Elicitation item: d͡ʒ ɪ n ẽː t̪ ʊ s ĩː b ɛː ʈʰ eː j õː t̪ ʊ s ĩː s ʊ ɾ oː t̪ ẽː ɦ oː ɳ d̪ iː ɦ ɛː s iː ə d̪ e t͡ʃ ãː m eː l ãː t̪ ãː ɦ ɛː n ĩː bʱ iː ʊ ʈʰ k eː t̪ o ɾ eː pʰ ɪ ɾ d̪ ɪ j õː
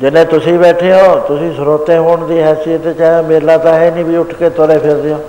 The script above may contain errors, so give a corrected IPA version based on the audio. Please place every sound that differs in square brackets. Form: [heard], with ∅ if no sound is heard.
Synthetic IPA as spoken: d͡ʒ ɪ n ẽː t̪ ʊ s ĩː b ɛː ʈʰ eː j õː t̪ ʊ s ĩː s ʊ ɾ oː t̪ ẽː ɦ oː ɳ d̪ iː ɦ ɛː s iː ə [t̪] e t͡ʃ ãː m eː l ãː t̪ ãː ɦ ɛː n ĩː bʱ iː ʊ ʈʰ k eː t̪ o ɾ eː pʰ ɪ ɾ d̪ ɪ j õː